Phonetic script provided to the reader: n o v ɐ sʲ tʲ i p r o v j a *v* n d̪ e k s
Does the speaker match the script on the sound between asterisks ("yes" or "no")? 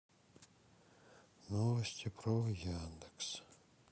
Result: no